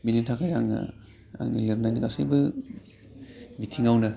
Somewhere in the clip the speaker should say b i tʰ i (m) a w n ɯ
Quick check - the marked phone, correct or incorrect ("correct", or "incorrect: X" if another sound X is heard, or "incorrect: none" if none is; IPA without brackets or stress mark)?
incorrect: ŋ